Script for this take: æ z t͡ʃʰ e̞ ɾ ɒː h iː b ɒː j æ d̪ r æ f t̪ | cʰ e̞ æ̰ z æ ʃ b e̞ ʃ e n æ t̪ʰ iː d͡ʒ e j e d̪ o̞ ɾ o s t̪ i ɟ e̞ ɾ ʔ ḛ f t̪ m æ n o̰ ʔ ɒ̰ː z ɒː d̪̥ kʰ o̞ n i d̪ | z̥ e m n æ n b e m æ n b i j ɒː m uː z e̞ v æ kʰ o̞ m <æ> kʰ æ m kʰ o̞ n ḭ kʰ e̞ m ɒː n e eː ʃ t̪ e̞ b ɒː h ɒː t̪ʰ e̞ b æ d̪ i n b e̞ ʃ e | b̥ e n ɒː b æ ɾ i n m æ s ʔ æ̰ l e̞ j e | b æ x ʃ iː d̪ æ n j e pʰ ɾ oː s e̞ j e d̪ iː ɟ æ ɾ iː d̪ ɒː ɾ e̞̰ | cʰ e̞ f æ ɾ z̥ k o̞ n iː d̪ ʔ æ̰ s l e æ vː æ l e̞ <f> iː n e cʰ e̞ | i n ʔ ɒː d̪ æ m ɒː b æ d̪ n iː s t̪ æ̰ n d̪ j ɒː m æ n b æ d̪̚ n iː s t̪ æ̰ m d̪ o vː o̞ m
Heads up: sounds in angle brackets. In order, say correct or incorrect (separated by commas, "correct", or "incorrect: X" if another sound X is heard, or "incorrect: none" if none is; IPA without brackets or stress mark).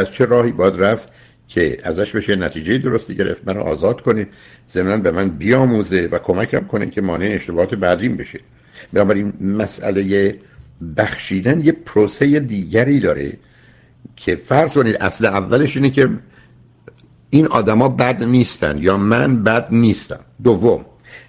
correct, incorrect: ʃ